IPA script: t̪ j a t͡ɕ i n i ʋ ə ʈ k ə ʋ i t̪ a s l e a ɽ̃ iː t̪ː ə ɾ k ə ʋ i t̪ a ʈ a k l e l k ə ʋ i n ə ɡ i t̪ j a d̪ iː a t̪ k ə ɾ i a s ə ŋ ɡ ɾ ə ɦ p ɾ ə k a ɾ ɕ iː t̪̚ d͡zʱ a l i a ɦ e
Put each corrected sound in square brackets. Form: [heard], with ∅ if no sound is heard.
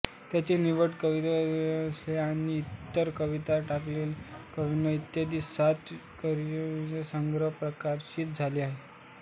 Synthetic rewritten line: t̪ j a t͡ɕ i n i ʋ ə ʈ k ə ʋ i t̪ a s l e a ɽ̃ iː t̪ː ə ɾ k ə ʋ i t̪ a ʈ a k l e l k ə ʋ i n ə [∅] i t̪ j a d̪ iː a t̪ k ə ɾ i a s ə ŋ ɡ ɾ ə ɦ p ɾ ə k a ɾ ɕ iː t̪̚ d͡zʱ a l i a ɦ e

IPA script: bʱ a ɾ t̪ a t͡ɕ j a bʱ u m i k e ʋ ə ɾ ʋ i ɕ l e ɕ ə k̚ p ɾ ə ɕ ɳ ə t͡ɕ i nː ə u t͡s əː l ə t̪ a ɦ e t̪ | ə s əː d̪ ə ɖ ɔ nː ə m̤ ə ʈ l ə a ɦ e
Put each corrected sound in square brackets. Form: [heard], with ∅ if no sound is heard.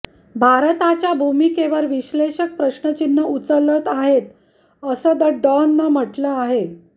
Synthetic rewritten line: bʱ a ɾ t̪ a t͡ɕ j a bʱ u m i k e ʋ ə ɾ ʋ i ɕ l e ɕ ə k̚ p ɾ ə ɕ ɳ ə t͡ɕ i nː ə u t͡s [ə] l ə t̪ a ɦ e t̪ | ə s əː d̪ ə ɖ ɔ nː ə m̤ ə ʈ l ə a ɦ e

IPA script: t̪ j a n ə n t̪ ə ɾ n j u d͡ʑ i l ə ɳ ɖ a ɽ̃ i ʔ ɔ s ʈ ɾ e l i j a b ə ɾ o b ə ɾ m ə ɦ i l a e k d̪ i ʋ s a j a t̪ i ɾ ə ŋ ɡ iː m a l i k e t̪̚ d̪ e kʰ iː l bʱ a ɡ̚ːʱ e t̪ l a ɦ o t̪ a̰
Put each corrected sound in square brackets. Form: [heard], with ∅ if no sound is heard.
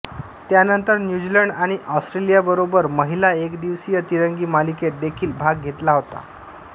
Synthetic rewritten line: t̪ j a n ə n t̪ ə ɾ n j u d͡ʑ i l ə ɳ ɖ a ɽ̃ i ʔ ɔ s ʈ ɾ e l i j a b ə ɾ o b ə ɾ m ə ɦ i l a e k d̪ i ʋ s [i] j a t̪ i ɾ ə ŋ ɡ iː m a l i k e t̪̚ d̪ e kʰ iː l bʱ a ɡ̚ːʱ e t̪ l a ɦ o t̪ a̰

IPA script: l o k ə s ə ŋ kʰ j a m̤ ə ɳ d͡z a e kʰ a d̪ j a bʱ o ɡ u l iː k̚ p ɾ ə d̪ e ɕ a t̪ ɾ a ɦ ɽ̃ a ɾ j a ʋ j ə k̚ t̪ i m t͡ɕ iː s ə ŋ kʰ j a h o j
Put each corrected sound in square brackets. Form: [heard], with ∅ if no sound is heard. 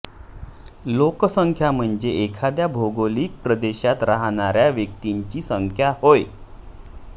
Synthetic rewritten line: l o k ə s ə ŋ kʰ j a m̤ ə ɳ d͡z [e] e kʰ a d̪ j a bʱ o ɡ [o] l iː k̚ p ɾ ə d̪ e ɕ a t̪ ɾ a ɦ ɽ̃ a ɾ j a ʋ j ə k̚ t̪ i [ɲ] t͡ɕ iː s ə ŋ kʰ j a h o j

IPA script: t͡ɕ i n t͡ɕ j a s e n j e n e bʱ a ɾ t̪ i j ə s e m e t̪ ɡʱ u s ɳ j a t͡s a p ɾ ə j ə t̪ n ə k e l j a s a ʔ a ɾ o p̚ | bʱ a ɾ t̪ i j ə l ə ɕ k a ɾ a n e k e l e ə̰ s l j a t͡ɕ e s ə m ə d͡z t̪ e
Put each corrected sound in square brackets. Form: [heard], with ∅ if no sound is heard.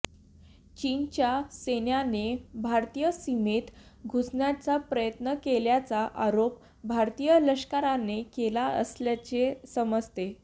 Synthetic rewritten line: t͡ɕ i n t͡ɕ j a s e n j [a] n e bʱ a ɾ t̪ i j ə s [i] m e t̪ ɡʱ u s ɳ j a t͡s a p ɾ ə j ə t̪ n ə k e l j a [t͡s] a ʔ a ɾ o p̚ | bʱ a ɾ t̪ i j ə l ə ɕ k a ɾ a n e k e l [a] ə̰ s l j a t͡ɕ e s ə m ə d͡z t̪ e

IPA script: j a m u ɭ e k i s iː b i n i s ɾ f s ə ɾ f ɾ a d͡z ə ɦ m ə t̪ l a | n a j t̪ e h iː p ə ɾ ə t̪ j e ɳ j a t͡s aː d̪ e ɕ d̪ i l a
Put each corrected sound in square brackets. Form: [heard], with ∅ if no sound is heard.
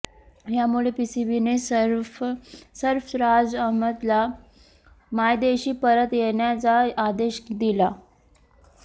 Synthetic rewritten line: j a m u ɭ e [p] i s [i] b i n [e] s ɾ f s ə ɾ f ɾ a d͡z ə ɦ m ə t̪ l a | [m] a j [d̪] e [ɕ] iː p ə ɾ ə t̪ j e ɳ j a t͡s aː d̪ e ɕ d̪ i l a

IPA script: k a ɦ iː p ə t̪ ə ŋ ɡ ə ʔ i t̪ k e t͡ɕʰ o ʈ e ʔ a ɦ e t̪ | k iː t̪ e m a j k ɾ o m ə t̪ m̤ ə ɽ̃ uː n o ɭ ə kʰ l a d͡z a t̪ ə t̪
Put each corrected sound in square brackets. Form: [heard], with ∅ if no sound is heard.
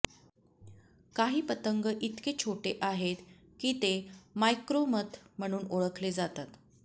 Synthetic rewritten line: k a ɦ iː p ə t̪ ə ŋ ɡ ə ʔ i t̪ k e t͡ɕʰ o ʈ e ʔ a ɦ e t̪ | k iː t̪ e m a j k ɾ o m ə t̪ m̤ ə ɽ̃ uː n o ɭ ə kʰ l [e] d͡z a t̪ [a] t̪

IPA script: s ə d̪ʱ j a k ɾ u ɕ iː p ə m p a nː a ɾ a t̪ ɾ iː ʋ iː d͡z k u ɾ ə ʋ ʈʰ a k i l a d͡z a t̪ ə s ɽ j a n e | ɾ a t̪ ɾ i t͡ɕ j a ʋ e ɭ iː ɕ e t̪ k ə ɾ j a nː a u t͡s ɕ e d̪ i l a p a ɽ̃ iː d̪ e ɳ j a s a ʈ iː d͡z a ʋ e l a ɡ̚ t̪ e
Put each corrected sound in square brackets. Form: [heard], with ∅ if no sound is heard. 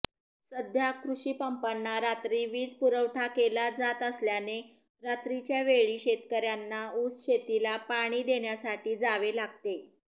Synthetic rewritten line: s ə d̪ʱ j a k ɾ u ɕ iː p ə m p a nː a ɾ a t̪ ɾ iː ʋ iː d͡z [p] u ɾ ə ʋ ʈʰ a k [e] l a d͡z a t̪ ə s [l] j a n e | ɾ a t̪ ɾ i t͡ɕ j a ʋ e ɭ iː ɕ e t̪ k ə ɾ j a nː a u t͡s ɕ e [t̪] i l a p a ɽ̃ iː d̪ e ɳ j a s a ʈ iː d͡z a ʋ e l a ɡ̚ t̪ e

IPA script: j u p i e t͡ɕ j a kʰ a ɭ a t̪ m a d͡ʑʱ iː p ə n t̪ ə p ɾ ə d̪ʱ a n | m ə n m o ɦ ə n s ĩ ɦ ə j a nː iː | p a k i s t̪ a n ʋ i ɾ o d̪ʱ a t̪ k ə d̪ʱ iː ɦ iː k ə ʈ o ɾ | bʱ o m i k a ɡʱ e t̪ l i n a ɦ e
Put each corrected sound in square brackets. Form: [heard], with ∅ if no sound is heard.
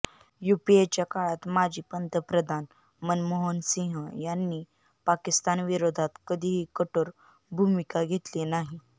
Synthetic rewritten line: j u p i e t͡ɕ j a [k] a ɭ a t̪ m a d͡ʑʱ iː p ə n t̪ ə p ɾ ə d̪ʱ a n | m ə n m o ɦ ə n s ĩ ɦ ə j a nː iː | p a k i s t̪ a n ʋ i ɾ o d̪ʱ a t̪ k ə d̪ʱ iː ɦ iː k ə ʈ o ɾ | bʱ [u] m i k a ɡʱ e t̪ l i n a ɦ [i]

